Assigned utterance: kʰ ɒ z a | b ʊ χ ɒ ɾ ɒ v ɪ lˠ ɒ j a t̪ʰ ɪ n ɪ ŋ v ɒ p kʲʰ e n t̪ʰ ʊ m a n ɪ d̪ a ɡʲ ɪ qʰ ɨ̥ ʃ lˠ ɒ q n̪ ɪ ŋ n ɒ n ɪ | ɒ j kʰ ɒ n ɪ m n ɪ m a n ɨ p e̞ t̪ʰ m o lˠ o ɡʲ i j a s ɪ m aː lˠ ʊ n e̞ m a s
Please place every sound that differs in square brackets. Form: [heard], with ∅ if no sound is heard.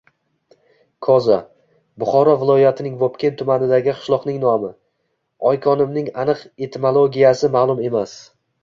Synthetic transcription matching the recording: kʰ ɒ z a | b ʊ χ ɒ ɾ ɒ v ɪ lˠ ɒ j a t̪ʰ ɪ n ɪ ŋ v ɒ p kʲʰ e n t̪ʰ ʊ m a n ɪ d̪ a ɡʲ ɪ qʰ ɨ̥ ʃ lˠ ɒ q n̪ ɪ ŋ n ɒ [m] ɪ | ɒ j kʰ ɒ n ɪ m n ɪ [ŋ] a n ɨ [q] e̞ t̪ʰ m o lˠ o ɡʲ i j a s ɪ m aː lˠ ʊ [m] e̞ m a s